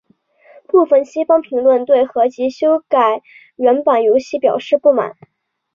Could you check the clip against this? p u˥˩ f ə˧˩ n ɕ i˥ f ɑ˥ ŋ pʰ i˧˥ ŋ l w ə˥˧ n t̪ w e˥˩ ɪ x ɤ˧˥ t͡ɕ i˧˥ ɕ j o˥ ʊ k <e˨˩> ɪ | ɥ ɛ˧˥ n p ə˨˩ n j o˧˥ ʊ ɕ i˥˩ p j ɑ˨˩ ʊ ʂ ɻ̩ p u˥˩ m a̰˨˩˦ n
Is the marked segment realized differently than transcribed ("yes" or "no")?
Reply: yes